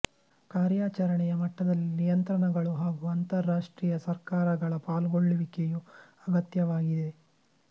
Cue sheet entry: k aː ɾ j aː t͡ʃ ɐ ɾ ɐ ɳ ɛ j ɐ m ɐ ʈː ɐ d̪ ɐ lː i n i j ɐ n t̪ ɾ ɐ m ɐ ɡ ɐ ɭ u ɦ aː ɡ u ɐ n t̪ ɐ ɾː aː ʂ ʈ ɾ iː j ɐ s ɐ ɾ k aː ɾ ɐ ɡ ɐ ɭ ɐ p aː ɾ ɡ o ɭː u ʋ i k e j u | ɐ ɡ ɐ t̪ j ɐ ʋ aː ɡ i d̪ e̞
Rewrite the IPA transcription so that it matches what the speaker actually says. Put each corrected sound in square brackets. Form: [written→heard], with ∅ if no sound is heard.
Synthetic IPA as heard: k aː ɾ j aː t͡ʃ ɐ ɾ ɐ ɳ ɛ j ɐ m ɐ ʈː ɐ d̪ ɐ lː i n i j ɐ n t̪ ɾ ɐ [m→ɳ] ɐ ɡ ɐ ɭ u ɦ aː ɡ u ɐ n t̪ ɐ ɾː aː ʂ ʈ ɾ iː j ɐ s ɐ ɾ k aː ɾ ɐ ɡ ɐ ɭ ɐ p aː [ɾ→l] ɡ o ɭː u ʋ i k e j u | ɐ ɡ ɐ t̪ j ɐ ʋ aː ɡ i d̪ e̞